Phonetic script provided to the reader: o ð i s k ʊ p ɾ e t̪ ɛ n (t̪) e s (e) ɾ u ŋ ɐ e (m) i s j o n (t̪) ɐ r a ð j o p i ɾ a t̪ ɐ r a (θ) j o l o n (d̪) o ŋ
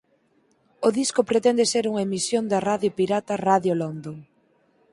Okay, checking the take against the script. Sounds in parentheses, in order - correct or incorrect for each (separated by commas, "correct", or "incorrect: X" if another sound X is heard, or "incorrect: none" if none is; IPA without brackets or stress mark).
incorrect: d̪, correct, correct, incorrect: d̪, incorrect: ð, correct